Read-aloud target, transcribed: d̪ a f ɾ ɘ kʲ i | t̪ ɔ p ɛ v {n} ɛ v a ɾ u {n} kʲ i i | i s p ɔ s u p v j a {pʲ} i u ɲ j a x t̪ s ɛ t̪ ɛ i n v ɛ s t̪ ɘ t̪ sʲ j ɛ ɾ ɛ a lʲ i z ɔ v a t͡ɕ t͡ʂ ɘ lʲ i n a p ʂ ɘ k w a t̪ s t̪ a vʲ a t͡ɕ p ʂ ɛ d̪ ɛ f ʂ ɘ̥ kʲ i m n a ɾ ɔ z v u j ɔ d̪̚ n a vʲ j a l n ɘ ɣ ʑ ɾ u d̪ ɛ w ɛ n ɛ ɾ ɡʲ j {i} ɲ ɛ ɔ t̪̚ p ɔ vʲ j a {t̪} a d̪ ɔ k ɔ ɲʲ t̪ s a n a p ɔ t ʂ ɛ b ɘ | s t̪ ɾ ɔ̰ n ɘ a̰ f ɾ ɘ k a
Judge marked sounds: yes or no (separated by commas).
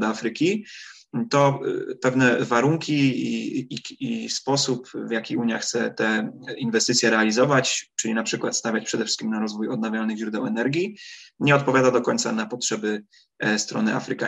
yes, no, no, yes, no